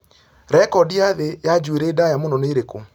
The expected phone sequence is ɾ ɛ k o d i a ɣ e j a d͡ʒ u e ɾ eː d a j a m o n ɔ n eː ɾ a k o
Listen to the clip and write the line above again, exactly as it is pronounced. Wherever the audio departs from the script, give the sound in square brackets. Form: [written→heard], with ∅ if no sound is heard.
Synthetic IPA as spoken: ɾ ɛ k [o→ɔ] d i a [ɣ→ð] e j a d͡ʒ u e ɾ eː d a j a m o n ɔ n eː ɾ [a→e] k o